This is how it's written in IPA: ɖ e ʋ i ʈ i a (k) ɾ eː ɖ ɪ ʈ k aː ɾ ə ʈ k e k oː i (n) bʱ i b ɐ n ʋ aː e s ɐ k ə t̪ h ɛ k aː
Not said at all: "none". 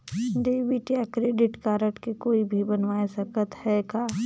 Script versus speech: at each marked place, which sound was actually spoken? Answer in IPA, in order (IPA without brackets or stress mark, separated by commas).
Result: k, none